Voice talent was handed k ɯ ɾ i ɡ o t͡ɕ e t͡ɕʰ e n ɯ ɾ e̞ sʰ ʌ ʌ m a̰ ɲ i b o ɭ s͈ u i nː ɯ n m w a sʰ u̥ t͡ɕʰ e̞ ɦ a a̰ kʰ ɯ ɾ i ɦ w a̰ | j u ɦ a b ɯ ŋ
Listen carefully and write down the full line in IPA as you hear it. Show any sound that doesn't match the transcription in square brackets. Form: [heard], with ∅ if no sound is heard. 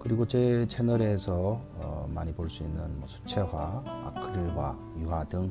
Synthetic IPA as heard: k ɯ ɾ i ɡ o t͡ɕ e t͡ɕʰ e n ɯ ɾ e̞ sʰ ʌ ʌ m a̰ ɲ i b o ɭ s͈ u i nː ɯ n m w [ʌ] sʰ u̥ t͡ɕʰ e̞ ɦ a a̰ kʰ ɯ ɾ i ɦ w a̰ | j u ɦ a [d] ɯ ŋ

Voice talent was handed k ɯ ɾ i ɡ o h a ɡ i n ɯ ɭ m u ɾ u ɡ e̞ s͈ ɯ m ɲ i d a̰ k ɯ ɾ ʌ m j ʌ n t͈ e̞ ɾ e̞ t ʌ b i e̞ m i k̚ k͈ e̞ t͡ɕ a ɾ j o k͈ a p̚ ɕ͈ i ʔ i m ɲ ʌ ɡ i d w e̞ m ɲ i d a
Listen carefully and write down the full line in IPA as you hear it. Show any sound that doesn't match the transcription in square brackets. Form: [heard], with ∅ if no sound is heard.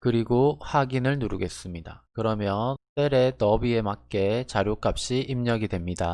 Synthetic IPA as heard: k ɯ ɾ i ɡ o h a ɡ i n ɯ ɭ [n] u ɾ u ɡ e̞ s͈ ɯ m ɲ i d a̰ k ɯ ɾ ʌ m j ʌ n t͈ e̞ ɾ e̞ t ʌ b i e̞ m [a] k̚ k͈ e̞ t͡ɕ a ɾ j o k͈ a p̚ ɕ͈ i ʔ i m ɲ ʌ ɡ i d w e̞ m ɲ i d a

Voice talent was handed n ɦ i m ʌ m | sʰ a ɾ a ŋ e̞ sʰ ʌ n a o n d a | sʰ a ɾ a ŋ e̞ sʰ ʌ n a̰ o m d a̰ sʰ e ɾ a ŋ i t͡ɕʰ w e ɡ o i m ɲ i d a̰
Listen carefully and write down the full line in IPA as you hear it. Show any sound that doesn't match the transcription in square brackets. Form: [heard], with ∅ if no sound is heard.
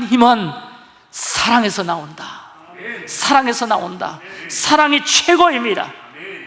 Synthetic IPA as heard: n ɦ i m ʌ [n] | sʰ a ɾ a ŋ e̞ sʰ ʌ n a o n d a | sʰ a ɾ a ŋ e̞ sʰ ʌ n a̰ o [n] d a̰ sʰ [a] ɾ a ŋ i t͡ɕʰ w e ɡ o i m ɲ i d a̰

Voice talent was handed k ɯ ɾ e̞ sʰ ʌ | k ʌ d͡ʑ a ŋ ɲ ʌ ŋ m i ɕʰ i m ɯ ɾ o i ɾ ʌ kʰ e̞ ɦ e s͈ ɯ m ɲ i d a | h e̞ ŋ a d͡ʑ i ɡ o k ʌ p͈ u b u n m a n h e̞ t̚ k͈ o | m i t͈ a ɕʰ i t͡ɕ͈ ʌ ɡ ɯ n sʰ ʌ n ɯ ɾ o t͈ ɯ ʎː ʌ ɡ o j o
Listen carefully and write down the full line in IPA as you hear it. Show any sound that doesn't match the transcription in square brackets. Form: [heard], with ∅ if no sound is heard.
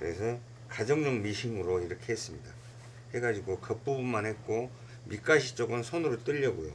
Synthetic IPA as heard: k ɯ ɾ e̞ sʰ ʌ | k [a] d͡ʑ [ʌ] ŋ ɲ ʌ ŋ m i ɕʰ i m ɯ ɾ o i ɾ ʌ kʰ e̞ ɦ e s͈ ɯ m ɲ i d a | h e̞ [ɡ] a d͡ʑ i ɡ o k ʌ p͈ u b u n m a n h e̞ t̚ k͈ o | m i [k͈] a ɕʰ i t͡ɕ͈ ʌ ɡ ɯ n sʰ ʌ n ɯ ɾ o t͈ ɯ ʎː ʌ ɡ o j o

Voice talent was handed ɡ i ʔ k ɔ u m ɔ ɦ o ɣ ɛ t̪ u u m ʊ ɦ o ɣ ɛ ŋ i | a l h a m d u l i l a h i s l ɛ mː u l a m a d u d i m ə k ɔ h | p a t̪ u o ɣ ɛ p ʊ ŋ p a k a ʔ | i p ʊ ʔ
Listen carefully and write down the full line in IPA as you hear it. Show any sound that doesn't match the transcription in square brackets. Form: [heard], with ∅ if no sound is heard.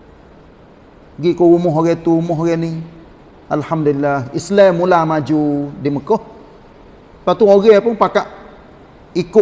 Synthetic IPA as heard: ɡ i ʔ k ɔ u m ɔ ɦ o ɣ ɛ t̪ u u m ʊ ɦ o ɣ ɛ [n] i | a l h a m d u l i l a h i s l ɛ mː u l a m a [d͡ʒ] u d i m ə k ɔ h | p a t̪ u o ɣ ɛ p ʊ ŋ p a k a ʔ | i [k] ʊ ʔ

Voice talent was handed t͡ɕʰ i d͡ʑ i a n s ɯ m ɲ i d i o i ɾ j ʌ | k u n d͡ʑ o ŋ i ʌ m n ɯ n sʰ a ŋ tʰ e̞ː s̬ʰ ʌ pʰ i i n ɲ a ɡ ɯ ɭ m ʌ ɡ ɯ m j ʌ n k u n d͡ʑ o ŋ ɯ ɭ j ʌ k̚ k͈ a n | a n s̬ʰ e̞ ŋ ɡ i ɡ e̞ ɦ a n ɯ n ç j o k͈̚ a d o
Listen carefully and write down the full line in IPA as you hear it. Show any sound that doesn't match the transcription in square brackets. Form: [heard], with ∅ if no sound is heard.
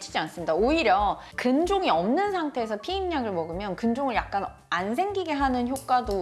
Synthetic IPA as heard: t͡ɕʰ i d͡ʑ i a n s ɯ m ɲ i d [a] o i ɾ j ʌ | k [ɯ] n d͡ʑ o ŋ i ʌ m n ɯ n sʰ a ŋ tʰ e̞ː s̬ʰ ʌ pʰ i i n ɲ a ɡ ɯ ɭ m ʌ ɡ ɯ m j ʌ n k [ɯ] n d͡ʑ o ŋ ɯ ɭ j [a] k̚ k͈ a n | a n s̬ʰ e̞ ŋ ɡ i ɡ e̞ ɦ a n ɯ n ç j o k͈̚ a d o

